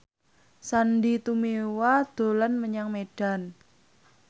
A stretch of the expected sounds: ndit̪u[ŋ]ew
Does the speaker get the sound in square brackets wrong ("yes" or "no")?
yes